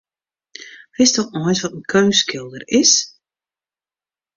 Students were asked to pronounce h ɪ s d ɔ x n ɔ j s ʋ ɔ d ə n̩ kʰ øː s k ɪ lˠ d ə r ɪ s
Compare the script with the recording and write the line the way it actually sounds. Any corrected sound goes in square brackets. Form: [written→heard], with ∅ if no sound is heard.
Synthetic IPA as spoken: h ɪ s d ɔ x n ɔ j s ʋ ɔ [d→t] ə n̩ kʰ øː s k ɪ lˠ d ə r ɪ s